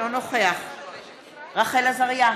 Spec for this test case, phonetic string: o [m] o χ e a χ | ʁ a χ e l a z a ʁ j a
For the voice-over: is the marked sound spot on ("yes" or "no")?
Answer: no